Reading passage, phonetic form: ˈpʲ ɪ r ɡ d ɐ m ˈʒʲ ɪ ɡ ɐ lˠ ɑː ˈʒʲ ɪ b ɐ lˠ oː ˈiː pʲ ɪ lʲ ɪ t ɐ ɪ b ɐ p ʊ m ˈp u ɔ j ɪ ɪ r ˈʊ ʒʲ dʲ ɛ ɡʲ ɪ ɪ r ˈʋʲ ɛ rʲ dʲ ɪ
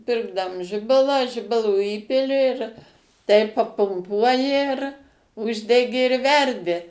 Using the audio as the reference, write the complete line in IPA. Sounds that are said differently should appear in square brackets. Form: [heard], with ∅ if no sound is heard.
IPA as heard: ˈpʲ ɪ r ɡ d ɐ m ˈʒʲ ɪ [b] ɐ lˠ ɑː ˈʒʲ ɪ b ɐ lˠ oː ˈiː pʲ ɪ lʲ ɪ t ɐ ɪ [p] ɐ p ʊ m ˈp u ɔ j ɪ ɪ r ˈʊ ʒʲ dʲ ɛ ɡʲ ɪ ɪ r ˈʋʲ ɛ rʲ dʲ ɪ